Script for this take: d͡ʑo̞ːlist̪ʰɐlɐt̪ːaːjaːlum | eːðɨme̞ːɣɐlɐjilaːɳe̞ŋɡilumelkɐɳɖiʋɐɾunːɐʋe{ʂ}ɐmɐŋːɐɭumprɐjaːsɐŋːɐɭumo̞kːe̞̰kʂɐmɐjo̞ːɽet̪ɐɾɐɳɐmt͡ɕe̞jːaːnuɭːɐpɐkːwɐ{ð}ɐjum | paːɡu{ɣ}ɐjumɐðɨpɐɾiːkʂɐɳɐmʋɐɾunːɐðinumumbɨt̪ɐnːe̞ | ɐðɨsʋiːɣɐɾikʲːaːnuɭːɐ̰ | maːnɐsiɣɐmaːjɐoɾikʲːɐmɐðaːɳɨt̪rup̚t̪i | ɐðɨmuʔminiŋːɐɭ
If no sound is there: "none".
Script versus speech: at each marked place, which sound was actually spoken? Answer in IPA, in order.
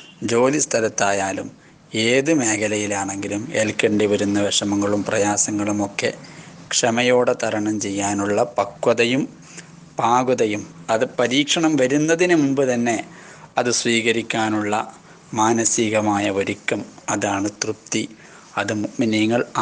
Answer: ʂ, ð, ð

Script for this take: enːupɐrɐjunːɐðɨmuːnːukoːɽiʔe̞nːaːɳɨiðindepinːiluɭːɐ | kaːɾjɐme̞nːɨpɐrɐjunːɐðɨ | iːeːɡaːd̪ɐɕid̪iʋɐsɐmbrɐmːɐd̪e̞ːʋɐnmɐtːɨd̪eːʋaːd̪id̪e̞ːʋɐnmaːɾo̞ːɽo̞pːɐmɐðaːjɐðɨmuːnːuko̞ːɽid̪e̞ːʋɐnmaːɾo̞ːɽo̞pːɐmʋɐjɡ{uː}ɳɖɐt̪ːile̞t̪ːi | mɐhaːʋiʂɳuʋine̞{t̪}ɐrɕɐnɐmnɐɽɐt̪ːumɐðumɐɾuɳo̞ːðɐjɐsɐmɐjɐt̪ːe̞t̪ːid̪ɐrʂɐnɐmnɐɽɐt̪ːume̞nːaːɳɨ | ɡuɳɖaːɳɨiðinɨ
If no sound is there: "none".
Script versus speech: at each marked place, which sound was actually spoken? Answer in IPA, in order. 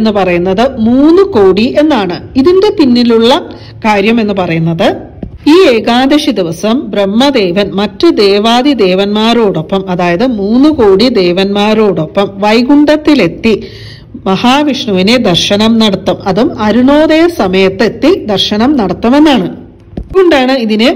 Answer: u, d̪

